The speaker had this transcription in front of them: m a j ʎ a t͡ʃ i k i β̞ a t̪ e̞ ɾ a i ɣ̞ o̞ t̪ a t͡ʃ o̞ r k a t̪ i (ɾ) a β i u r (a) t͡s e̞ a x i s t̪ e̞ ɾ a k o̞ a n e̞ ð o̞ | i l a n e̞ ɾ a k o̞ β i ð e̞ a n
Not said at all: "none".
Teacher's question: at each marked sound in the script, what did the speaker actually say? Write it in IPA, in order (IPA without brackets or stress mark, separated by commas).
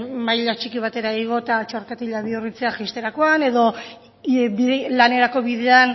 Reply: ʎ, i